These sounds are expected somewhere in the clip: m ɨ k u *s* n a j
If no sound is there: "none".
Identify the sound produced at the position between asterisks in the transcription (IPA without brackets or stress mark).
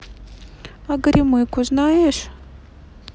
z